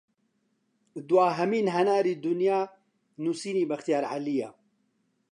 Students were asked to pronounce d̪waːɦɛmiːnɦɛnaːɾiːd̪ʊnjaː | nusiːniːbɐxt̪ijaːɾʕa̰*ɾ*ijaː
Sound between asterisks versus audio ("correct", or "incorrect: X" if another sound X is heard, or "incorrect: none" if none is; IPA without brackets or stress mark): incorrect: l